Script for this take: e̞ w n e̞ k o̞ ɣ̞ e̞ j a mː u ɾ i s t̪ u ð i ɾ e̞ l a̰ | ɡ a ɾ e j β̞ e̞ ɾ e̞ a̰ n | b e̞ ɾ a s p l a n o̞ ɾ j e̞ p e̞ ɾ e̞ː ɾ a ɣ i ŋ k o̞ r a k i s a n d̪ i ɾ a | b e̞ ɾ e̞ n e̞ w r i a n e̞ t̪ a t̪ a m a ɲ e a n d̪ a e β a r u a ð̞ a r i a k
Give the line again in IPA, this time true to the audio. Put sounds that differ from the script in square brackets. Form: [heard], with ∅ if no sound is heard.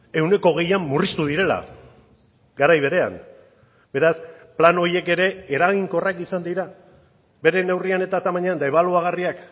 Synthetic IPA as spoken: e̞ w n e̞ k o̞ ɣ̞ e̞ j a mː u [r] i s t̪ u ð i ɾ e̞ l a̰ | ɡ a ɾ [a] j β̞ e̞ ɾ e̞ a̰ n | b e̞ ɾ a s p l a n o̞ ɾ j e̞ [k] e̞ ɾ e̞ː ɾ a ɣ i ŋ k o̞ r a k i s a n d̪ i ɾ a | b e̞ ɾ e̞ n e̞ w r i a n e̞ t̪ a t̪ a m a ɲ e a n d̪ a e β a [l] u a [ɣ̞] a r i a k